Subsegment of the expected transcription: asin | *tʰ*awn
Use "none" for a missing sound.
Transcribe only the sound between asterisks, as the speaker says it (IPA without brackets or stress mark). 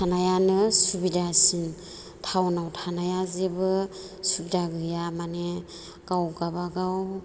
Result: tʰ